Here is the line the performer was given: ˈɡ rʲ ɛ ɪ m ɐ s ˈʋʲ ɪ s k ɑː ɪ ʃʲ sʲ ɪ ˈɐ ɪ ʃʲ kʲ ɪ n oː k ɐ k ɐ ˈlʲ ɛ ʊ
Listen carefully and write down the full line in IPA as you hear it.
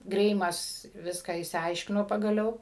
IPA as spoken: ˈɡ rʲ ɛ ɪ m ɐ s ˈʋʲ ɪ s k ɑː ɪ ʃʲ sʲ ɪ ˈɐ ɪ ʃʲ kʲ ɪ n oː p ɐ ɡ ɐ ˈlʲ ɛ ʊ